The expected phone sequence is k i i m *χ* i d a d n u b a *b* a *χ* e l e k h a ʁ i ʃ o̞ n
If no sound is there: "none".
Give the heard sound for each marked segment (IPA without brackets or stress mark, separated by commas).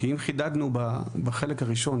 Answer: χ, b, χ